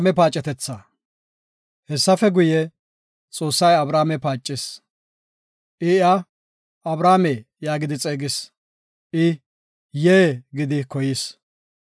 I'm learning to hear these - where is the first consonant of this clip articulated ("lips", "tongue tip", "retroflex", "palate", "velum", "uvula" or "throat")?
lips